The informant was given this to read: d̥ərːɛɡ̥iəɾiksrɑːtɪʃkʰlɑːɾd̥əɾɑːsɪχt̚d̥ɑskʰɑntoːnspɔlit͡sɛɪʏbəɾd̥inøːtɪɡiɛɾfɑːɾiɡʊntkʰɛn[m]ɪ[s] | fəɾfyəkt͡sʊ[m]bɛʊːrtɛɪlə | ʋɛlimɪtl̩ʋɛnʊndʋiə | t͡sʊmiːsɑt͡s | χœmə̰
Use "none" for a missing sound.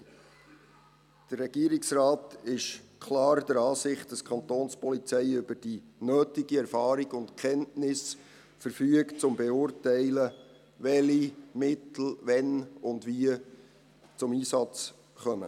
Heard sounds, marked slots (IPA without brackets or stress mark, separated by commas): n, s, m